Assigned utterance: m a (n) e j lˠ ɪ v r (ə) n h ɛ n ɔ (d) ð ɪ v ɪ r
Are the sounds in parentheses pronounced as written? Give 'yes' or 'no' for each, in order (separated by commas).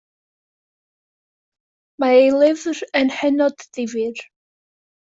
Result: no, yes, yes